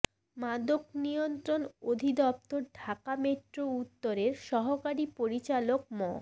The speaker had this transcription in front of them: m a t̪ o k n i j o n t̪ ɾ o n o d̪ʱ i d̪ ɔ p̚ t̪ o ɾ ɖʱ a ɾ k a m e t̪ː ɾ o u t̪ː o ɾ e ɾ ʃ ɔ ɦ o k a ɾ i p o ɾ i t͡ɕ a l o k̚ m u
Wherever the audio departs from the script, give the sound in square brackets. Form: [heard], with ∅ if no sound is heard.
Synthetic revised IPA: m a [d̪] o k n i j o n t̪ ɾ o n o d̪ʱ i d̪ ɔ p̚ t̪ o ɾ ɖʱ a [∅] k a m e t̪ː ɾ o u t̪ː o ɾ e ɾ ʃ ɔ ɦ o k a ɾ i p o ɾ i t͡ɕ a l o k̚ m [ɔ]